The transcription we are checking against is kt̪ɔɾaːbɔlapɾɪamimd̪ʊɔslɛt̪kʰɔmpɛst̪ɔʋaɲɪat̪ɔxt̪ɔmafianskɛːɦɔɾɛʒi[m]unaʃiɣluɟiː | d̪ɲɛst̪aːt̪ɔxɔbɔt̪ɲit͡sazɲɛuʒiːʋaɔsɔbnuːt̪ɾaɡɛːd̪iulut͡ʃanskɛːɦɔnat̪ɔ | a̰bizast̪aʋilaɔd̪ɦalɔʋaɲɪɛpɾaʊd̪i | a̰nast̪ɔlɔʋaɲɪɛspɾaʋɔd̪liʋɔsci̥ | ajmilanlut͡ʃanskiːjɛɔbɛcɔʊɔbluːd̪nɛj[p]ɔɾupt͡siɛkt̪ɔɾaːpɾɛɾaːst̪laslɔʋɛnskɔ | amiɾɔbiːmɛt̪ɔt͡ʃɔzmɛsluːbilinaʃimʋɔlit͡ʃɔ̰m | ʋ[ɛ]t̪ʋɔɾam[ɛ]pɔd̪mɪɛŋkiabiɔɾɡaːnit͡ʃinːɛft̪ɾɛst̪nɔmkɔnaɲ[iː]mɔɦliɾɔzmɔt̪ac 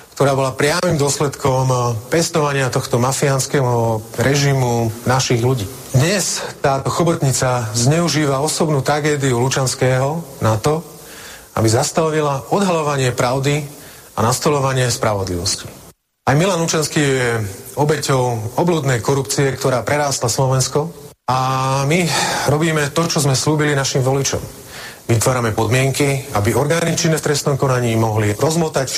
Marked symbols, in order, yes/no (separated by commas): yes, no, no, yes, yes